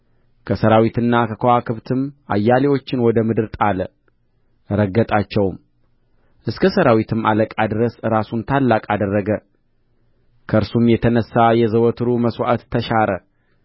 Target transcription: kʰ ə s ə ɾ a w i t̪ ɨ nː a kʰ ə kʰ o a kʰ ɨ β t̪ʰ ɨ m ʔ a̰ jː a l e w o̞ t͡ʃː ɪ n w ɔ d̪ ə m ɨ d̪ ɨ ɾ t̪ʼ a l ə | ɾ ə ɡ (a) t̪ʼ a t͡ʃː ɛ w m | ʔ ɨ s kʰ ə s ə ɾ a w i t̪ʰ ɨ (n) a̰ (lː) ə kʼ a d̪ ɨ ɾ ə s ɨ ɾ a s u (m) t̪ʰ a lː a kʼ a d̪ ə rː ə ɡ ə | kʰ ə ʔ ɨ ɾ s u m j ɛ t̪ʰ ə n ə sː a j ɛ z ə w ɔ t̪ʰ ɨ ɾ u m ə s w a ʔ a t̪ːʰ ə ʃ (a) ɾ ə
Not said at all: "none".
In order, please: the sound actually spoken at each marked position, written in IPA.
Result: ə, m, l, n, a

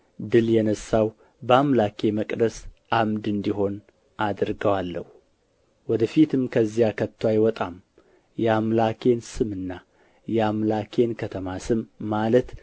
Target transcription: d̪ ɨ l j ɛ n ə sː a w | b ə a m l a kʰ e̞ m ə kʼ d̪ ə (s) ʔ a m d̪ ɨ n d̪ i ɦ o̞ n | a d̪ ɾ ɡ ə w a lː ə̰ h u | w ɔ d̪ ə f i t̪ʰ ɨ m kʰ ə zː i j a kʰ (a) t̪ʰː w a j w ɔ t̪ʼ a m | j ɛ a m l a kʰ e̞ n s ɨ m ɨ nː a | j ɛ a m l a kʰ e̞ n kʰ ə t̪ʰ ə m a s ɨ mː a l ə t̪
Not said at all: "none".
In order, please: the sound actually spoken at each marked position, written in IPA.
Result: s, ə

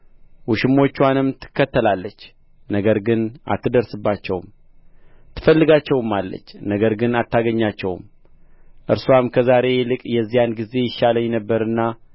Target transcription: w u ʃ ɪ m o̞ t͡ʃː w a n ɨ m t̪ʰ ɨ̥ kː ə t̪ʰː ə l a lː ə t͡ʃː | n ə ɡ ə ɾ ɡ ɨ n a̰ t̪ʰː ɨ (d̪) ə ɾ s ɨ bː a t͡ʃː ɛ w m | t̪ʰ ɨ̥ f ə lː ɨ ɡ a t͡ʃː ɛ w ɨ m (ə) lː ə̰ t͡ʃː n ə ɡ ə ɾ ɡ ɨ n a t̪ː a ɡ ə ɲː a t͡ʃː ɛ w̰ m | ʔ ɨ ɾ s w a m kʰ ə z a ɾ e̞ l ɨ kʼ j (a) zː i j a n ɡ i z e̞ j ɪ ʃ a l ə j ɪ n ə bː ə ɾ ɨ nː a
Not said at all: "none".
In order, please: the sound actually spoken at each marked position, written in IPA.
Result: d̪, a, ɛ

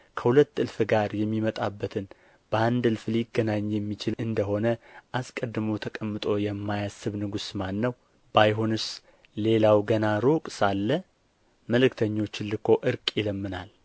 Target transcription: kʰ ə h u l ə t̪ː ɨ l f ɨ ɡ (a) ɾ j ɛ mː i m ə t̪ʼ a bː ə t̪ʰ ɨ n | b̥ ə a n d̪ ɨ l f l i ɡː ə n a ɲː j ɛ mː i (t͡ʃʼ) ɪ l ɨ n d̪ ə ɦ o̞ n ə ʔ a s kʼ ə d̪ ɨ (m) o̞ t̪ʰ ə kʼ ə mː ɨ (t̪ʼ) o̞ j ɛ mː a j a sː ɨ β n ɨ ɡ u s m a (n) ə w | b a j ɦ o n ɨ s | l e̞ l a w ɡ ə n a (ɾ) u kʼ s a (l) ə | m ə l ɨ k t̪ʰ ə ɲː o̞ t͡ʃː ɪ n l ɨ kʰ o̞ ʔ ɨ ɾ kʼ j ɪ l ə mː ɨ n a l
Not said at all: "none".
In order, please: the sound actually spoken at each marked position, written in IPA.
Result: a, t͡ʃ, m, t̪ʼ, nː, ɾ, lː

